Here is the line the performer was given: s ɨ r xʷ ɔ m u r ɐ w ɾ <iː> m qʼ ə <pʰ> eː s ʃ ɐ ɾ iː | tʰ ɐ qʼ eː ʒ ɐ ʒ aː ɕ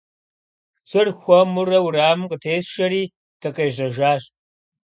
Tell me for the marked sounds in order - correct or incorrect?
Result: incorrect, incorrect

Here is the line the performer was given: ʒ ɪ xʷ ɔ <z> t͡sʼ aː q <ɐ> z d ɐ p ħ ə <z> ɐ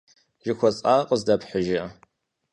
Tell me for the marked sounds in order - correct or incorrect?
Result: incorrect, incorrect, incorrect

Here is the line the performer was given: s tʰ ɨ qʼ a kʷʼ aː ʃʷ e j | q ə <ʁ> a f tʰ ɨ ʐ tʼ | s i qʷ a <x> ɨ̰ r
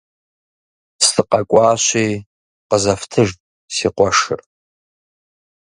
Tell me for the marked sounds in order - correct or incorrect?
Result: incorrect, incorrect

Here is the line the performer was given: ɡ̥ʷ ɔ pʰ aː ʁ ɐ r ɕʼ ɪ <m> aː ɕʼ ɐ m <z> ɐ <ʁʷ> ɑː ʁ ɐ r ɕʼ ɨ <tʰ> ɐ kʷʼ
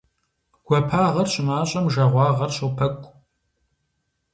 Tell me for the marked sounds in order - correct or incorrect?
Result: correct, incorrect, correct, incorrect

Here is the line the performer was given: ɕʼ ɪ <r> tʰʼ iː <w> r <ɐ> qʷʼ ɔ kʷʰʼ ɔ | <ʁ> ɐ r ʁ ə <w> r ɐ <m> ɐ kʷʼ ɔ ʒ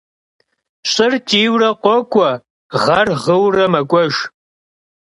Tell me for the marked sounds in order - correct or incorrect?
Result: correct, correct, correct, correct, correct, correct

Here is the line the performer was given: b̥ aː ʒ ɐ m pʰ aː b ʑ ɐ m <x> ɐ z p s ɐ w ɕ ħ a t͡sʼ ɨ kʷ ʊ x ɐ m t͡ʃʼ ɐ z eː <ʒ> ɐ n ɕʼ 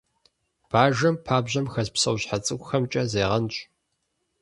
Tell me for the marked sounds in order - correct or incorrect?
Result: correct, incorrect

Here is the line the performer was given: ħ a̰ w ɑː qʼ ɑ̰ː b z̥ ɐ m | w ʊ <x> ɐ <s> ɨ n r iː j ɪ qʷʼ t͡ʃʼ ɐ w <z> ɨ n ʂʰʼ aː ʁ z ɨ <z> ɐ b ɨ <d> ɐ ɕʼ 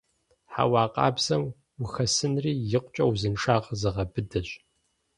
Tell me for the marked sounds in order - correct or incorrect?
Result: correct, correct, correct, incorrect, correct

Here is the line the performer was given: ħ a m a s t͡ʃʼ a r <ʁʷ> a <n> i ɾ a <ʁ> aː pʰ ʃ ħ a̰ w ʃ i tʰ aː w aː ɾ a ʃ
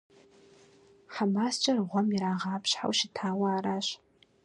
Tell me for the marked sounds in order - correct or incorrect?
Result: correct, incorrect, correct

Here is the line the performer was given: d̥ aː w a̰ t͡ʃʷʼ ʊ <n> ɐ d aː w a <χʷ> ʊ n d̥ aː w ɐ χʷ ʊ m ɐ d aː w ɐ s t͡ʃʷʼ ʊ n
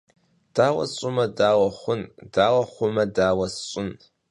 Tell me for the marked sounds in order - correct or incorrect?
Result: incorrect, correct

